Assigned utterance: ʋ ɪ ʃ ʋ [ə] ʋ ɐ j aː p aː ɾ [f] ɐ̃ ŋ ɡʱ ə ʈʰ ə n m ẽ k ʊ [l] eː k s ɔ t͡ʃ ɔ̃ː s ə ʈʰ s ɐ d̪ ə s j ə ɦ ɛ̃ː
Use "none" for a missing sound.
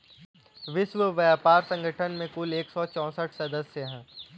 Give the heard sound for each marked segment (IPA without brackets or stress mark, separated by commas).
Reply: ə, s, l